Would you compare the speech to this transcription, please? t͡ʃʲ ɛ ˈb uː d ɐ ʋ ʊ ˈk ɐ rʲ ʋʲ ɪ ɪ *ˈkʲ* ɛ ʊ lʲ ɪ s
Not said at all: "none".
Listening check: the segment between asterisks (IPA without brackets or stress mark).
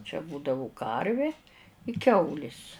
kʲ